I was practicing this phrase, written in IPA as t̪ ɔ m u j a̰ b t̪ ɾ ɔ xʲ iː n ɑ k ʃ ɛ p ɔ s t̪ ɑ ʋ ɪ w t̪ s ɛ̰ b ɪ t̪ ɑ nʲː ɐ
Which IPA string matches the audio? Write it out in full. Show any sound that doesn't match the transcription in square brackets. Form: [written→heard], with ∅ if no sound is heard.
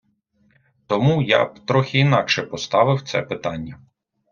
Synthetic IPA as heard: t̪ ɔ m u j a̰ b t̪ ɾ ɔ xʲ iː n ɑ k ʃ ɛ p ɔ s t̪ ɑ ʋ ɪ w t̪ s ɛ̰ [b→p] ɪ t̪ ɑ nʲː ɐ